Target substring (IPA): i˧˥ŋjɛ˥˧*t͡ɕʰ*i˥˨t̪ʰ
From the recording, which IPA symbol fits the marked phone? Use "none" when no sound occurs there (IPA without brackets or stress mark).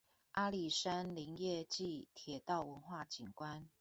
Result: t͡ɕ